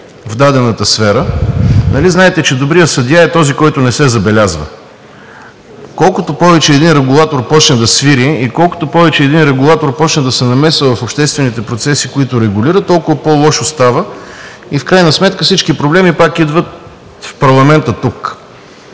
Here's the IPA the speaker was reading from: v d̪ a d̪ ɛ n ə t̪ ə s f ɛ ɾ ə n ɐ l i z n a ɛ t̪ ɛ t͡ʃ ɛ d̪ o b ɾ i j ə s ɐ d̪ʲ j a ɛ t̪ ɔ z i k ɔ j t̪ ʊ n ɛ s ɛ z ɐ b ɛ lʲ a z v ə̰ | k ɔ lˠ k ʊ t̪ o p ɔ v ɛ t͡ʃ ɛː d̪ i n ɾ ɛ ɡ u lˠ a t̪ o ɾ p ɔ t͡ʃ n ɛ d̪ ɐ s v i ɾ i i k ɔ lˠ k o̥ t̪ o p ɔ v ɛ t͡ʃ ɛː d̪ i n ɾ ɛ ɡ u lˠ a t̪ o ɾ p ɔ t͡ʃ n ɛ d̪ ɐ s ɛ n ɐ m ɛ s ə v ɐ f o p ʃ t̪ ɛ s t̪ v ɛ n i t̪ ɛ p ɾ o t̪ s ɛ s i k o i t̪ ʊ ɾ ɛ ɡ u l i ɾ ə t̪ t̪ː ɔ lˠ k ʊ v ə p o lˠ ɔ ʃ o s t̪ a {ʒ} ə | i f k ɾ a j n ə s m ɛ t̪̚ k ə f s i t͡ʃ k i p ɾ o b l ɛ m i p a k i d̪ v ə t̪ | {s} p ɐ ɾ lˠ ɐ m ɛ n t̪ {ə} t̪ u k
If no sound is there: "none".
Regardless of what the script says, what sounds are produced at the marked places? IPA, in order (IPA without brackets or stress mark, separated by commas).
v, f, ə